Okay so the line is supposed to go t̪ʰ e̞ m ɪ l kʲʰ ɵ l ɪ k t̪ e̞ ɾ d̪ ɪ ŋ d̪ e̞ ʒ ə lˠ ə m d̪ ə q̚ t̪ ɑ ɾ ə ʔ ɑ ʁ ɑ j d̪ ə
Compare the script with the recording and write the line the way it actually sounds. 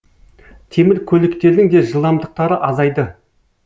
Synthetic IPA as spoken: t̪ʰ e̞ m ɪ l kʲʰ ɵ l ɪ k t̪ e̞ ɾ d̪ ɪ ŋ d̪ e̞ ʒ ə lˠ ɑ m d̪ ə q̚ t̪ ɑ ɾ ə ʔ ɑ z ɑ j d̪ ə